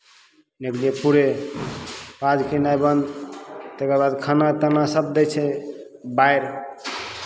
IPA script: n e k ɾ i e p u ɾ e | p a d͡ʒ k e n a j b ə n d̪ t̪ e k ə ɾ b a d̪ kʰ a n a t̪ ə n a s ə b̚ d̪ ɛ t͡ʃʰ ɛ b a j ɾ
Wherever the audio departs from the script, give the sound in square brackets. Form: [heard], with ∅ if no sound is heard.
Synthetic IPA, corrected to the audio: n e k [l] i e p u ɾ e | p a d͡ʒ k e n a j b ə n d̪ t̪ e k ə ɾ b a d̪ kʰ a n a t̪ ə n a s ə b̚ d̪ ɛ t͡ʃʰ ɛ b a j ɾ